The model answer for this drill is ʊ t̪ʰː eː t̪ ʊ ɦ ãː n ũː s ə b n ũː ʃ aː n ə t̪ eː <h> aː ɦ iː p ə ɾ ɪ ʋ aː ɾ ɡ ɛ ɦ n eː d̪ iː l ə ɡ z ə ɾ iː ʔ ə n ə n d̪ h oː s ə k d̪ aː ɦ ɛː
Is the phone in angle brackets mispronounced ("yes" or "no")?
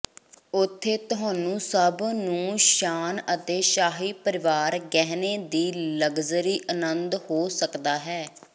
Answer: yes